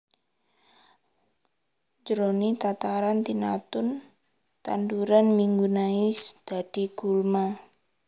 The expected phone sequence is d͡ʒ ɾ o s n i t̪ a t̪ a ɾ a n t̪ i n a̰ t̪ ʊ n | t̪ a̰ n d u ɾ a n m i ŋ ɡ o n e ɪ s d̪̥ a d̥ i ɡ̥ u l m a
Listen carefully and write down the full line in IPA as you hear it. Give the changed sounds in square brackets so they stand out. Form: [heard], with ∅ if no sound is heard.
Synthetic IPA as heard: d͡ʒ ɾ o [∅] n i t̪ a t̪ a ɾ a n t̪ i n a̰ t̪ ʊ n | t̪ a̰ n d u ɾ a n m i ŋ ɡ [u] n [a] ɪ s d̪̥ a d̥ i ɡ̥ u l m a